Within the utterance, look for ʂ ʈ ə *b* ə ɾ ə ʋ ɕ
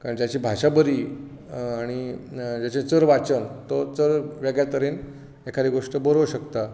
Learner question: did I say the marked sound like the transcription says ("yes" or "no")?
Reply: yes